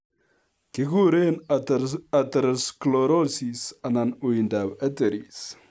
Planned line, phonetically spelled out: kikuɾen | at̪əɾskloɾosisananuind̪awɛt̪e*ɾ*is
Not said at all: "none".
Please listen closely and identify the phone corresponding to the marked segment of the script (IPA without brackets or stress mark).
ɾ